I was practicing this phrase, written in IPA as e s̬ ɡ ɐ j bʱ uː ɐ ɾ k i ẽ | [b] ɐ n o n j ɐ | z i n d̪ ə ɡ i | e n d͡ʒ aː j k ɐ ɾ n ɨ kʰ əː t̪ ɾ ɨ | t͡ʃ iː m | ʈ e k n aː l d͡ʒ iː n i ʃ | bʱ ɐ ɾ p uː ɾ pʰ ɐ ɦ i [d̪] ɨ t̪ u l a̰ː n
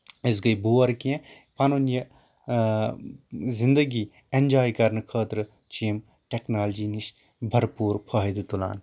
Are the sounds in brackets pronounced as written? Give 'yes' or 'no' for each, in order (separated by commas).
no, yes